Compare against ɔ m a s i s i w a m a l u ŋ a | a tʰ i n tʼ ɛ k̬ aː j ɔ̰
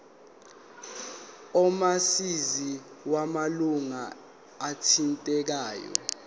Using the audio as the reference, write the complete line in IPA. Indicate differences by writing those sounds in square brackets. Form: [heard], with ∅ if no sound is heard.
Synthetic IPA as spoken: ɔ m a s i [z] i w a m a l u ŋ a | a tʰ i n tʼ ɛ k̬ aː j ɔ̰